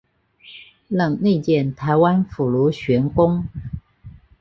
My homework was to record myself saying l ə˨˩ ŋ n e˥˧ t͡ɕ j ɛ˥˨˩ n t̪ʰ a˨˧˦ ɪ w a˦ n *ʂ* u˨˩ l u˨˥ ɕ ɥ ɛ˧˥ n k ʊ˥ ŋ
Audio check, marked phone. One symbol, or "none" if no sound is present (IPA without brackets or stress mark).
f